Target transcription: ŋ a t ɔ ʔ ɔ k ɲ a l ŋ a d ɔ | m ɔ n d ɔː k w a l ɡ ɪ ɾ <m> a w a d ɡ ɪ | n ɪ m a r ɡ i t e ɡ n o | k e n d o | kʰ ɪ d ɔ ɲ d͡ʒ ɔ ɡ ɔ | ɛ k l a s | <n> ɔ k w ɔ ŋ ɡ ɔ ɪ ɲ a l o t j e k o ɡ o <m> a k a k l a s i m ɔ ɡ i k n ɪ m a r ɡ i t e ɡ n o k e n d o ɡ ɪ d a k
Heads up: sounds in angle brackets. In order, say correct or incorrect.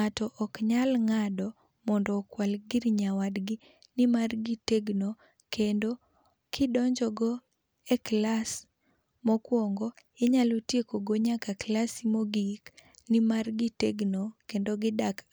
incorrect: ɲ, incorrect: m, incorrect: ɲ

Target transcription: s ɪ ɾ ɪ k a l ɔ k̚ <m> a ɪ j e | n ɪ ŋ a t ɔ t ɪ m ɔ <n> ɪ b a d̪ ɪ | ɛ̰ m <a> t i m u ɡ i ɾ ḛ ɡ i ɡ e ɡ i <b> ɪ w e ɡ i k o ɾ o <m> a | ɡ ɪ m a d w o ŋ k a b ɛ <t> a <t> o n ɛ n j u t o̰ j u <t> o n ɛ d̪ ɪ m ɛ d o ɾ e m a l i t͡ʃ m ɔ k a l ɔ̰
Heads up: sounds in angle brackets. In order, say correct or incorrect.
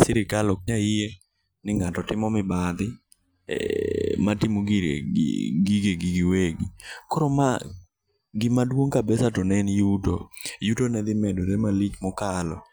incorrect: ɲ, incorrect: m, correct, incorrect: ɡ, correct, incorrect: s, correct, correct

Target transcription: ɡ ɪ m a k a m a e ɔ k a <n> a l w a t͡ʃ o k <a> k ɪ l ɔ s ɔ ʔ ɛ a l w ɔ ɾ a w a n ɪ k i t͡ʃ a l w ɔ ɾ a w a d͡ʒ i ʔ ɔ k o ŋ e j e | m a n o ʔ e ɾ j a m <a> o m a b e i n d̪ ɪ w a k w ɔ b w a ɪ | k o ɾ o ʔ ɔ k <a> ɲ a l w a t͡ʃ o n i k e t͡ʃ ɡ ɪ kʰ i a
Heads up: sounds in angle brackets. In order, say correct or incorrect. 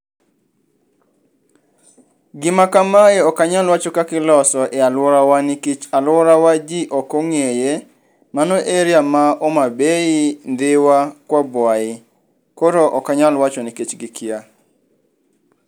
incorrect: ɲ, correct, correct, correct

